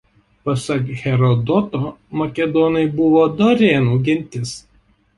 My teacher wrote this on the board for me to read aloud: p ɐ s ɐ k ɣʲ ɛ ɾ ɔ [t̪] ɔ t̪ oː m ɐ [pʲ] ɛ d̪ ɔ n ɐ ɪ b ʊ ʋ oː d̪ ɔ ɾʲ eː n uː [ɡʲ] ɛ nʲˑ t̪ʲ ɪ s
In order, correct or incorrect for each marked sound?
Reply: incorrect: d̪, incorrect: kʲ, correct

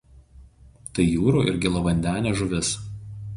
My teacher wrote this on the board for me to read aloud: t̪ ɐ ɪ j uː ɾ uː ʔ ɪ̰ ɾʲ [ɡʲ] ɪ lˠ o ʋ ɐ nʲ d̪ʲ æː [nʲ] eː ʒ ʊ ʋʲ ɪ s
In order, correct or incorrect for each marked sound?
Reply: correct, correct

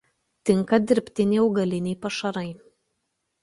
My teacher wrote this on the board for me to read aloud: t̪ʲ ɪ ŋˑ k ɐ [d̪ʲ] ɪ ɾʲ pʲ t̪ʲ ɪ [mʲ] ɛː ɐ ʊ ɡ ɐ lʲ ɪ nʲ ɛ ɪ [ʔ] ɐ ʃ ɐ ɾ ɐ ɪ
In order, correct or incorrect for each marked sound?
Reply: correct, incorrect: nʲ, incorrect: p

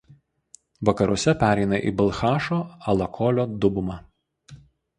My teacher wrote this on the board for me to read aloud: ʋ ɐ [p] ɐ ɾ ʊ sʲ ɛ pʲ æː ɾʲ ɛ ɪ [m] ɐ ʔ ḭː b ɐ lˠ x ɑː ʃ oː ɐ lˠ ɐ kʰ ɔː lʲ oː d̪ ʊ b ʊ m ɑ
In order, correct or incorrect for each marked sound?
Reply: incorrect: k, incorrect: n

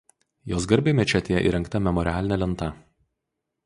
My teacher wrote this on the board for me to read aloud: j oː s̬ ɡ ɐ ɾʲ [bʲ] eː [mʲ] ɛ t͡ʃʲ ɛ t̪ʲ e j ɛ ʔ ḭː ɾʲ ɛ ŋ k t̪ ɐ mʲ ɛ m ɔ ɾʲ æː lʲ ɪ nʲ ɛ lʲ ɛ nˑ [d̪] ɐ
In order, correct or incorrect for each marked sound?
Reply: correct, correct, incorrect: t̪

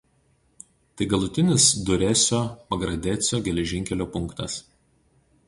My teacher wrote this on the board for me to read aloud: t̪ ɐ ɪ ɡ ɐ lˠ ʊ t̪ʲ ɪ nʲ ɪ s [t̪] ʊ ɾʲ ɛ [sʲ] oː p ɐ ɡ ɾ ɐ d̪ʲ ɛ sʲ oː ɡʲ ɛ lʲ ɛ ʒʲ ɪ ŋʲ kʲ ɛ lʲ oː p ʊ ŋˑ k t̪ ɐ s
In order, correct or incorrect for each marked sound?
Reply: incorrect: d̪, correct

